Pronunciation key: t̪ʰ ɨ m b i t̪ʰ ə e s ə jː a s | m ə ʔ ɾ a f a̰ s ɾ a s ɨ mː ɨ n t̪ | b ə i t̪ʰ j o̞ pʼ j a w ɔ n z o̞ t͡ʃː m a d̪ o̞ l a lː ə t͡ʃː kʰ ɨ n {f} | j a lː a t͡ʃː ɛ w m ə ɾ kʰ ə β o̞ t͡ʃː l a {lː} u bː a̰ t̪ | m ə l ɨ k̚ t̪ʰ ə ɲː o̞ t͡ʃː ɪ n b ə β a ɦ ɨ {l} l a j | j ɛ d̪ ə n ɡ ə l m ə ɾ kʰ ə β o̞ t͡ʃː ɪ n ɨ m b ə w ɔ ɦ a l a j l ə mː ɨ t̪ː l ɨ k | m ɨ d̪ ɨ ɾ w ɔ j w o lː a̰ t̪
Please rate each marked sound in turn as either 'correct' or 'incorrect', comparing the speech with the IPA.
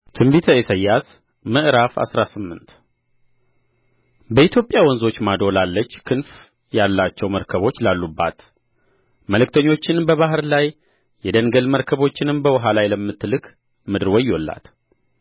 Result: correct, correct, incorrect: ɾ

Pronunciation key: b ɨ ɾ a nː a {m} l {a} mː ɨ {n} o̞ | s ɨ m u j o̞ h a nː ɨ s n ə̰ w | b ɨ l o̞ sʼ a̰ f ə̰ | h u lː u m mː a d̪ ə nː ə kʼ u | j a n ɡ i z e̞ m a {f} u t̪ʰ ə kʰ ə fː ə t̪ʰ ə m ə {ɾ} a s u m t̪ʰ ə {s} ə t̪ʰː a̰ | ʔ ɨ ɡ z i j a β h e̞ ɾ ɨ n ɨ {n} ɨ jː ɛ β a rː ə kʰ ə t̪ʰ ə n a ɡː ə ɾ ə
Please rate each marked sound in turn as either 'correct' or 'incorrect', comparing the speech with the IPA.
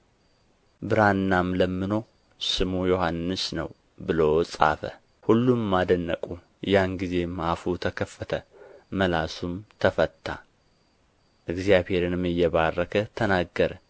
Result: correct, incorrect: ə, correct, correct, incorrect: l, incorrect: f, incorrect: m

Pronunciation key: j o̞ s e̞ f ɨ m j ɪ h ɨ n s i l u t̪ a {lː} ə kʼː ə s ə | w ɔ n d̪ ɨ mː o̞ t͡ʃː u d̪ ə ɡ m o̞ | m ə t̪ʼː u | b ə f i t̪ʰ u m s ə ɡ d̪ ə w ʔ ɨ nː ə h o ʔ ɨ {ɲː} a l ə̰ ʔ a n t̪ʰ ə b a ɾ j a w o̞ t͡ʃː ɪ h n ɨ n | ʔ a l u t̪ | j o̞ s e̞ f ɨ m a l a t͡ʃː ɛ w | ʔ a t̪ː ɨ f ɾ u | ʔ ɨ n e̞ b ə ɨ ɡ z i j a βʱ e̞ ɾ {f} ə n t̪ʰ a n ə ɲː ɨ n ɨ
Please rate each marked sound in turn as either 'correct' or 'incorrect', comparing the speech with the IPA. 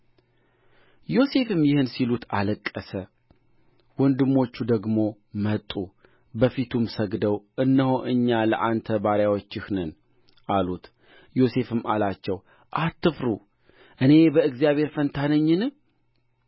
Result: incorrect: l, correct, correct

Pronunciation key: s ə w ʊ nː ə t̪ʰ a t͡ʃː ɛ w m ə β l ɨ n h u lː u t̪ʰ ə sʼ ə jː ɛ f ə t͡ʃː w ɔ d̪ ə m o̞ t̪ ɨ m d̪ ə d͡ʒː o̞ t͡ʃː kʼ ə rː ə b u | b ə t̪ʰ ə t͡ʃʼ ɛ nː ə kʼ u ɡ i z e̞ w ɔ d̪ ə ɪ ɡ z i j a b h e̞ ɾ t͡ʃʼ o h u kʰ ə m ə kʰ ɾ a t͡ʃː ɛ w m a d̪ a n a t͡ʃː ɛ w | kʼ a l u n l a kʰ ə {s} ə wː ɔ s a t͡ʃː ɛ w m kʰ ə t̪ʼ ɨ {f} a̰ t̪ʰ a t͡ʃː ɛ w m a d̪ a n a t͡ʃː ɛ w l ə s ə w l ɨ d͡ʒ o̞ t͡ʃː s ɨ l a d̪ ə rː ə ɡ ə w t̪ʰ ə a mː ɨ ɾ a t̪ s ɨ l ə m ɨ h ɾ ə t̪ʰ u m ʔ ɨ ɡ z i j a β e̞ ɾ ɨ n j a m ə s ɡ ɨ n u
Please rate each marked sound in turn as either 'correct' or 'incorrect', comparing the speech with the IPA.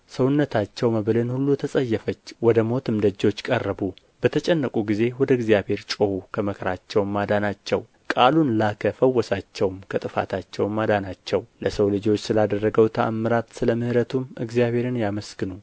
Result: incorrect: f, correct

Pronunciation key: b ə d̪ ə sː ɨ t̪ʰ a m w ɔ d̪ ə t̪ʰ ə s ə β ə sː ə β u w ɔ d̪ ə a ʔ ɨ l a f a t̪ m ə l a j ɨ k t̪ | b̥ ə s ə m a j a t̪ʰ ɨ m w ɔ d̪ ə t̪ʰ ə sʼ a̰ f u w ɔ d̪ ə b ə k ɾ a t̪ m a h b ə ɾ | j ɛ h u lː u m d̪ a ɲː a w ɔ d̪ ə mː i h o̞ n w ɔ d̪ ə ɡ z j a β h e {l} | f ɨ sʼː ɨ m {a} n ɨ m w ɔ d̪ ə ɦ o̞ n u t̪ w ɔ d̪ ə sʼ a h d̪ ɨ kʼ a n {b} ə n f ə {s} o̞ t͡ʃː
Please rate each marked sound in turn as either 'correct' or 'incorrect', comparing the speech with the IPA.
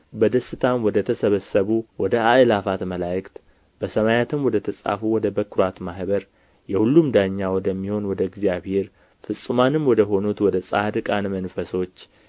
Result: incorrect: ɾ, correct, incorrect: m, correct

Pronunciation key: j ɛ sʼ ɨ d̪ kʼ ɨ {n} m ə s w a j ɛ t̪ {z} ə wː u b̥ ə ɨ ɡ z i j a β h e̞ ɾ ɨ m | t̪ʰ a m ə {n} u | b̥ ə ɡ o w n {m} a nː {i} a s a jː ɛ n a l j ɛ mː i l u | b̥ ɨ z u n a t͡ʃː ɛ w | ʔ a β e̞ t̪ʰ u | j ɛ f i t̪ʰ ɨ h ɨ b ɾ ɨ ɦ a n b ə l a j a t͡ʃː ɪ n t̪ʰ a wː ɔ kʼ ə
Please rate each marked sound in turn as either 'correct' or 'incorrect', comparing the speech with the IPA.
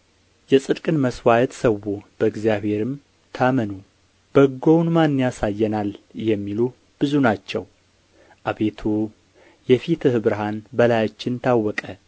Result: correct, incorrect: s, correct, correct, incorrect: j

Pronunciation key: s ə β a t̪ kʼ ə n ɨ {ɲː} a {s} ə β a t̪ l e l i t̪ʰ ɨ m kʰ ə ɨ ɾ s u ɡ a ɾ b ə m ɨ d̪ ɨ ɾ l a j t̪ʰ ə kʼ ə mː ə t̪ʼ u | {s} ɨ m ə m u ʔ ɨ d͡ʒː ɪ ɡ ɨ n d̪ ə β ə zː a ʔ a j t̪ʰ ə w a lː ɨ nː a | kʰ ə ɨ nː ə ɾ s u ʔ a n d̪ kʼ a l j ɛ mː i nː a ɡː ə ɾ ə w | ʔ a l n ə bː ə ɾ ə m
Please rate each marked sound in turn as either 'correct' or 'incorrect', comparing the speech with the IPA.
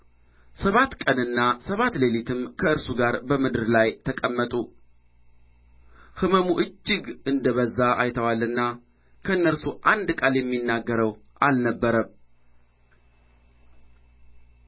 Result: incorrect: nː, correct, incorrect: h

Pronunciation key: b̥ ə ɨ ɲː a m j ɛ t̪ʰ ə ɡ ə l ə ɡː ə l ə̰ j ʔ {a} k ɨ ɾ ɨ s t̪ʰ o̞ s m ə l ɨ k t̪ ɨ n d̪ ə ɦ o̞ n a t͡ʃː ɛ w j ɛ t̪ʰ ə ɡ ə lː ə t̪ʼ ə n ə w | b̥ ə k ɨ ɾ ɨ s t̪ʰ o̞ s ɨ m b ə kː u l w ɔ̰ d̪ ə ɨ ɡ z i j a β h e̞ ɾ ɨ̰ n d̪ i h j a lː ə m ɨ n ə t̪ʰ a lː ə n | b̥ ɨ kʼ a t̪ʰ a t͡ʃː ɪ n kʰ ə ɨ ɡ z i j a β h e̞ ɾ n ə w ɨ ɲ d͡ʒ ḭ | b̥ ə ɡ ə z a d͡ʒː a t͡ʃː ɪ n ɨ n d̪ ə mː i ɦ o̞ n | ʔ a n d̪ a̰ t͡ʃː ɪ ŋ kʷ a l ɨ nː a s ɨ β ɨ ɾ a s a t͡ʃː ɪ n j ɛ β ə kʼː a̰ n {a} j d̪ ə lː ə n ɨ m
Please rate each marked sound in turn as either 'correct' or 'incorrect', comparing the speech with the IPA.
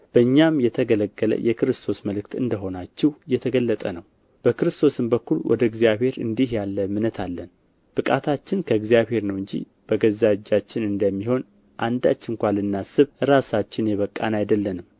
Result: incorrect: ɛ, correct

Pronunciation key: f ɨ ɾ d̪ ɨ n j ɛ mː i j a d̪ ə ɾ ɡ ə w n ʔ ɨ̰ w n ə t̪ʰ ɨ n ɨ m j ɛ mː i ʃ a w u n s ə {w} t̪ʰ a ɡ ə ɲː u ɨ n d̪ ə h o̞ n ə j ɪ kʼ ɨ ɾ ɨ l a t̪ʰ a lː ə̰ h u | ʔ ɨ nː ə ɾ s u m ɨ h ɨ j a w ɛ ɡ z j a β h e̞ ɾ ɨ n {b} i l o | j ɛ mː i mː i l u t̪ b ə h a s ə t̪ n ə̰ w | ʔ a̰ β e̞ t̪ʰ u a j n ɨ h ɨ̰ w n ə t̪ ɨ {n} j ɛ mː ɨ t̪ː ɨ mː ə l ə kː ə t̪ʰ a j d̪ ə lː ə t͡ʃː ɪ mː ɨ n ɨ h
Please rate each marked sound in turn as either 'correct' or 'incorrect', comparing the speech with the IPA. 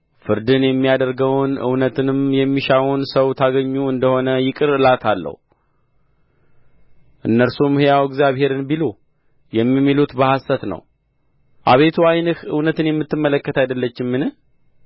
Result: correct, correct, correct

